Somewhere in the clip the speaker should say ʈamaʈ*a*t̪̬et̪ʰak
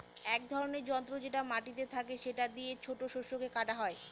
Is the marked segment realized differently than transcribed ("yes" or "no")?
yes